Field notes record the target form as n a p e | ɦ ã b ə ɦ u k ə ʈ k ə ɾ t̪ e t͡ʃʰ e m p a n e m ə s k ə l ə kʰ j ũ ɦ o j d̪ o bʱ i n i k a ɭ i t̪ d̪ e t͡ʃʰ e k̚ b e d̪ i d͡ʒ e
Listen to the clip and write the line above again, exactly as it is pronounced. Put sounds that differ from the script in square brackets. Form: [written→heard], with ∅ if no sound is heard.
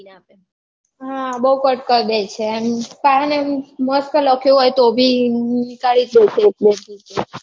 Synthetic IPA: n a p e | ɦ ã b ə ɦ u k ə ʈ k ə ɾ [t̪→d̪] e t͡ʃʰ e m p a n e m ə s k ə l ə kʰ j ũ ɦ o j [d̪→t̪] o bʱ i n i k a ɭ i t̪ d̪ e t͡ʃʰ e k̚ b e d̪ i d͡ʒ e